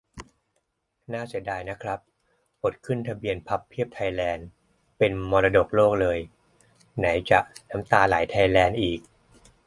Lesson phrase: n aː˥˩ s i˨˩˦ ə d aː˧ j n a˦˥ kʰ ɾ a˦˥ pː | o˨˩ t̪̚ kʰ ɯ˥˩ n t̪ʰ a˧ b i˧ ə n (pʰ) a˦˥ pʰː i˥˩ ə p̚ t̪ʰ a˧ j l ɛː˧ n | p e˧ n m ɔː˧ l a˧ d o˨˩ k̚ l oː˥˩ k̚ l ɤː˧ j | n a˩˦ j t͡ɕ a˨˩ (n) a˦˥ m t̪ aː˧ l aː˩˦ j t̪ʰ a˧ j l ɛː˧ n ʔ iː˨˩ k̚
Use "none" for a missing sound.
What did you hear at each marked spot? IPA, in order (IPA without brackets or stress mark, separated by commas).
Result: pʰ, n